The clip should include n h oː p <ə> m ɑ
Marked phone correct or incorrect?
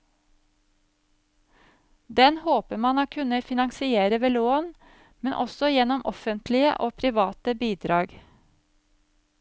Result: correct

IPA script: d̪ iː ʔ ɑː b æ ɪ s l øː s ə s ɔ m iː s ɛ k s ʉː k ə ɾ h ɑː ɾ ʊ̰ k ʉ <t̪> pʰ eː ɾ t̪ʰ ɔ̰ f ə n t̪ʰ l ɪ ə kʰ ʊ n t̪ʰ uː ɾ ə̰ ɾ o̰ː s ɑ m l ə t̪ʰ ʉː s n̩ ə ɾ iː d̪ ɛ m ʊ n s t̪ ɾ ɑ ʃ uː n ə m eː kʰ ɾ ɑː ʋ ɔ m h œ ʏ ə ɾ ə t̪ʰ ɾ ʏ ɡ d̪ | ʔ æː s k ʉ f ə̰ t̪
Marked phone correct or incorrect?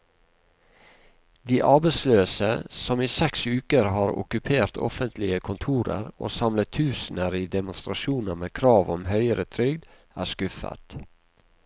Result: incorrect: none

